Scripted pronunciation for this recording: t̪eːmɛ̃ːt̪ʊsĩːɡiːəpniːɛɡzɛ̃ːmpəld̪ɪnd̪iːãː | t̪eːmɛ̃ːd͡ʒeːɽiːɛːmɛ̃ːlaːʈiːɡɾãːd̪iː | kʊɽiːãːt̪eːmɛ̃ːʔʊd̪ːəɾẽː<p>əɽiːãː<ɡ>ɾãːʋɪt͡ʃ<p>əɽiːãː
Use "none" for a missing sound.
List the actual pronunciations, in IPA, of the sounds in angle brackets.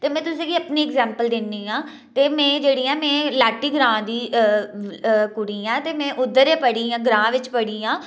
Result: p, ɡ, p

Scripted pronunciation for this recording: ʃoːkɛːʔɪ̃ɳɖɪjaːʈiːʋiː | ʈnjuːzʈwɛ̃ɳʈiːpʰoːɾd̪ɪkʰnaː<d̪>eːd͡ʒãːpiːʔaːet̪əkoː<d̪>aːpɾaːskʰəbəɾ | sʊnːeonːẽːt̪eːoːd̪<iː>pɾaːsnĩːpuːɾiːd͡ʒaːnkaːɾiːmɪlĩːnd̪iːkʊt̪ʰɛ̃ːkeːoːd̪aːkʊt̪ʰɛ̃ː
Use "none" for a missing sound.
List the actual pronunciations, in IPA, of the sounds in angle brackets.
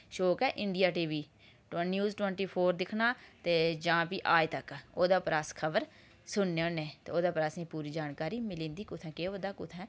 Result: t̪, d̪, aː

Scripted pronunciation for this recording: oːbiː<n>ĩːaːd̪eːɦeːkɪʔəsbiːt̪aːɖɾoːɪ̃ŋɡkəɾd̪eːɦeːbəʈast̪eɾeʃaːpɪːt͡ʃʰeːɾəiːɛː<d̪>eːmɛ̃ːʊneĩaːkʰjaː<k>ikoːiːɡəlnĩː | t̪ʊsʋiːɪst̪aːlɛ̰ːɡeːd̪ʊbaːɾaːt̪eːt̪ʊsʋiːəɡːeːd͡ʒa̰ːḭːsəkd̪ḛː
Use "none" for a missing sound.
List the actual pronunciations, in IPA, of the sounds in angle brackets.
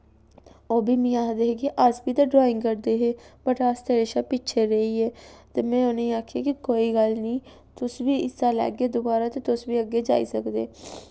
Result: m, t̪, k

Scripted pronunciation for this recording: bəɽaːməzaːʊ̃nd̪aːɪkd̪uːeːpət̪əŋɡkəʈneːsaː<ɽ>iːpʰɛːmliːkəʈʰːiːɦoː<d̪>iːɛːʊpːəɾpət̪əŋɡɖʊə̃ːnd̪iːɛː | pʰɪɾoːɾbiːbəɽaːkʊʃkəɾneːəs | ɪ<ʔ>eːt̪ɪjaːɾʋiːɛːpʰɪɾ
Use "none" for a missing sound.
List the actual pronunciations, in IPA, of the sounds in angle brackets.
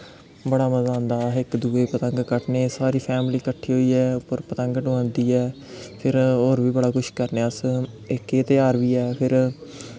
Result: ɾ, none, k

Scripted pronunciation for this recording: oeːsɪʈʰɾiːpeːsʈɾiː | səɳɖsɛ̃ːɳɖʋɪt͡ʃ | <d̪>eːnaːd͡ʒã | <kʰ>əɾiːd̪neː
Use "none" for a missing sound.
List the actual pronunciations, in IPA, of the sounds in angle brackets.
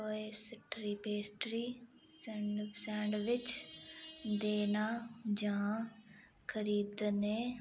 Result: d̪, kʰ

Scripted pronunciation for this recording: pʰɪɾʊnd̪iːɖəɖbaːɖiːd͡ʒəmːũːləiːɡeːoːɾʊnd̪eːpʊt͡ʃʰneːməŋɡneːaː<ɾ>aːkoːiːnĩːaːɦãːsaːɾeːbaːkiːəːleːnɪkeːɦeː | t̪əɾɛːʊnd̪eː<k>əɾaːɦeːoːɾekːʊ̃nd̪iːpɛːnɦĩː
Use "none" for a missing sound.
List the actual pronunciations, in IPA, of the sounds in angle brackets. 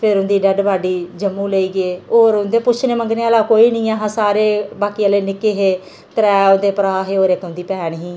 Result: l, p

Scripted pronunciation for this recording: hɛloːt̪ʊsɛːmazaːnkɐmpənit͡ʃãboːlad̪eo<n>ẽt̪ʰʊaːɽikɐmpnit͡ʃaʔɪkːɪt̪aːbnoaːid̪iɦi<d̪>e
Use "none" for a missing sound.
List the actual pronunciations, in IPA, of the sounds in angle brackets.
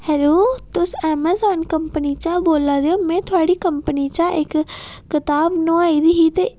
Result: m, t̪

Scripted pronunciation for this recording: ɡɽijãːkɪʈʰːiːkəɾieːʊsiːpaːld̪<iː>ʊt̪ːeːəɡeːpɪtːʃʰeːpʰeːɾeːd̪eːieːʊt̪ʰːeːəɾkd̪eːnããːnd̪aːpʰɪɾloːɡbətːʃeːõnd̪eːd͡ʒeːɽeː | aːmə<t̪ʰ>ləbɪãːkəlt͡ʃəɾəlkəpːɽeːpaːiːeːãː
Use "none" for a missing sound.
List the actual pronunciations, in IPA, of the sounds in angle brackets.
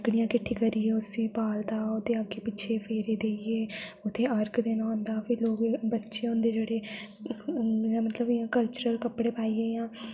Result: aː, t̪

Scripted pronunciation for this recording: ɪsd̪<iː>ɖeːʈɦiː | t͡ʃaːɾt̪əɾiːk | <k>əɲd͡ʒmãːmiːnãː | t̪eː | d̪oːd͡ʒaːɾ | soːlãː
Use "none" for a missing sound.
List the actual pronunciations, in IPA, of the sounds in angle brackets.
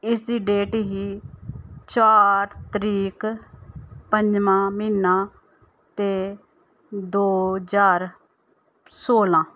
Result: iː, p

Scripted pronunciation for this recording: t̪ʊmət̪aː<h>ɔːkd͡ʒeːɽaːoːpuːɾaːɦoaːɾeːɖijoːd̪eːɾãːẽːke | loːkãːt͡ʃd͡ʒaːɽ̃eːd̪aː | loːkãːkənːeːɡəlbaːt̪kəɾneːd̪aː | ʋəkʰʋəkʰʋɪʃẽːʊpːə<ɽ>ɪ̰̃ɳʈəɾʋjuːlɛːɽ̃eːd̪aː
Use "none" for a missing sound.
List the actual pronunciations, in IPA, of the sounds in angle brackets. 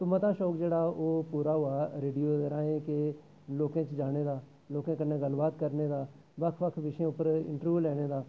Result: ʃ, ɾ

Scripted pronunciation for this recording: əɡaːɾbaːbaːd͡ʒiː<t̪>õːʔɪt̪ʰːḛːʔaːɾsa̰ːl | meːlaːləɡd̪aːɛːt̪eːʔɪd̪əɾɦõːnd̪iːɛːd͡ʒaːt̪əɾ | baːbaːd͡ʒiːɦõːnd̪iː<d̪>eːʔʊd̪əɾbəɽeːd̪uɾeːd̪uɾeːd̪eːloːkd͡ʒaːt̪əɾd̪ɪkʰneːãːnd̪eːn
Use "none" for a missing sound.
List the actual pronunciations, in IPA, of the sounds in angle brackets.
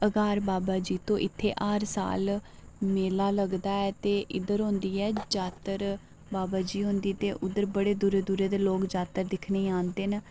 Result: t̪, t̪

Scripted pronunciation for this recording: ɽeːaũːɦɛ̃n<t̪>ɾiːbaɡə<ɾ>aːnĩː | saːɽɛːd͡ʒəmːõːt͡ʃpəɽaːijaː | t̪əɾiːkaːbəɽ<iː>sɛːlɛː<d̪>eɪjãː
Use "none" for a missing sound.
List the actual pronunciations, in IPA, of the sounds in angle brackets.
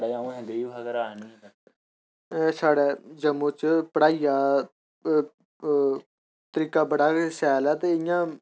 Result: d̪, ɾ, aː, t̪

